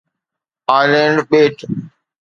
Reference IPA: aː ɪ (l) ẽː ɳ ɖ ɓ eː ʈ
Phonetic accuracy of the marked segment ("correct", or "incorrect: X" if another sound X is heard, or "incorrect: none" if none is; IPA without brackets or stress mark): correct